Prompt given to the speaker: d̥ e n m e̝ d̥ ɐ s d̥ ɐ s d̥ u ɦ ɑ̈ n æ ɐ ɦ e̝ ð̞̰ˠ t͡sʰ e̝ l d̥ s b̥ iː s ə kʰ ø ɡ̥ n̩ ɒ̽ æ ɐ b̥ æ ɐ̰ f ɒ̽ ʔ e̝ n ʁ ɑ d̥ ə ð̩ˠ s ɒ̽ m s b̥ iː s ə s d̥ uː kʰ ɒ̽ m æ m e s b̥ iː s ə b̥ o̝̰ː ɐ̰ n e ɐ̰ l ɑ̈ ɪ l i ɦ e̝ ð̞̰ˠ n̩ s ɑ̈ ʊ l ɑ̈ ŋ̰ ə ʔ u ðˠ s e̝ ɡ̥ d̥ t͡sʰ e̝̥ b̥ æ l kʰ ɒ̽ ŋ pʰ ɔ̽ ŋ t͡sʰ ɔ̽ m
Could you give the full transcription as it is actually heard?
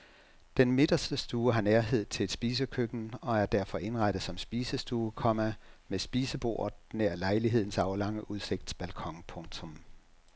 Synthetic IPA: d̥ e n m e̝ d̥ ɐ s d̥ ə s d̥ uː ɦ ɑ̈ n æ ɐ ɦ e̝ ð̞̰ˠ t͡sʰ e̝ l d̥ s b̥ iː s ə kʰ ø ɡ̥ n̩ ɒ̽ æ ɐ d̥ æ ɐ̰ f ɒ̽ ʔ e̝ n ʁ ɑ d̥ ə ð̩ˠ s ɒ̽ m s b̥ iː s ə s d̥ uː kʰ ɒ̽ m æ m e s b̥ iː s ə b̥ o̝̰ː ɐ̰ n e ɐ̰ l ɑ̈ ɪ l i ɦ e̝ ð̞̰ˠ n̩ s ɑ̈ ʊ l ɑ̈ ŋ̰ ə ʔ u ðˠ s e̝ ɡ̥ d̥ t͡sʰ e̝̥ b̥ æ l kʰ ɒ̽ ŋ pʰ ɔ̽ ŋ t͡sʰ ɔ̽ m